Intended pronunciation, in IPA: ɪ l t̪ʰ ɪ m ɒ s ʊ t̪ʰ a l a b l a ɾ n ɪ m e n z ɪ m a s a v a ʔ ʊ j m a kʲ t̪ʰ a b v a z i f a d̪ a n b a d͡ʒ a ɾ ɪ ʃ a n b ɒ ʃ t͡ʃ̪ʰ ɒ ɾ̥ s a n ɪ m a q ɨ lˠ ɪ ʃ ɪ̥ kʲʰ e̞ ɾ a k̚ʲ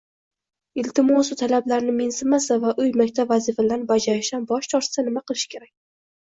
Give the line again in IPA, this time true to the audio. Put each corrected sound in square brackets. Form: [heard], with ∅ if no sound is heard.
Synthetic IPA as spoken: ɪ l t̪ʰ ɪ m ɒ s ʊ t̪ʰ a l a b l a ɾ n ɪ m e n [s] ɪ m a s a v a ʔ ʊ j m a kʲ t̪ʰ a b v a z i f a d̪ a n b a d͡ʒ a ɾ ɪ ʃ a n b ɒ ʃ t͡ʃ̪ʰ ɒ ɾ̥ s a n ɪ m a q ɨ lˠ ɪ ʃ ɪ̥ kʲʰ e̞ ɾ a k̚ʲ